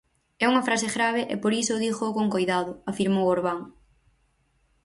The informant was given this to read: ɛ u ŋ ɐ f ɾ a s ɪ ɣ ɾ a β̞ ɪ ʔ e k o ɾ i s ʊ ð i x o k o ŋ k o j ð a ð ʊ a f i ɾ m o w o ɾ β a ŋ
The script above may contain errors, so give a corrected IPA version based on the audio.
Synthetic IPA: ɛ u ŋ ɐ f ɾ a s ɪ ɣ ɾ a β̞ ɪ ʔ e p o ɾ i s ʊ ð i x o k o ŋ k o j ð a ð ʊ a f i ɾ m o w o ɾ β a ŋ